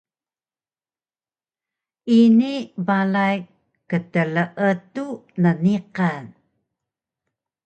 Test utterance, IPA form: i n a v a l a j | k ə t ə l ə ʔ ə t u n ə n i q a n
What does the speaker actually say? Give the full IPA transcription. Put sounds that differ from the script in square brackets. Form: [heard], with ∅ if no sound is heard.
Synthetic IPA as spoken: i n [i] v a l a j | k ə t ə l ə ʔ ə t u n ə n i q a n